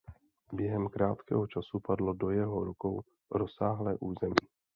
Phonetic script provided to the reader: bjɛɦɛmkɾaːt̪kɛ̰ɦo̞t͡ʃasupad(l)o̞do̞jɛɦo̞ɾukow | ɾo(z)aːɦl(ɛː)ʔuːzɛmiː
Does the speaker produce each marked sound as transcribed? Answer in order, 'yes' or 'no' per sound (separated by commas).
yes, no, yes